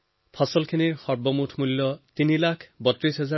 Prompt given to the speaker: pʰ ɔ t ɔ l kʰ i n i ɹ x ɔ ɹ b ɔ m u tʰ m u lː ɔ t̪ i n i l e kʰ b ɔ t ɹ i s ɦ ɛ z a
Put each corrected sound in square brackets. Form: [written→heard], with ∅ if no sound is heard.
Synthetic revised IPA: pʰ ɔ [t→s] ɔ l kʰ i n i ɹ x ɔ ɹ b ɔ m u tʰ m u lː ɔ t̪ i n i l [e→a] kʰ b ɔ t ɹ i s ɦ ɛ z a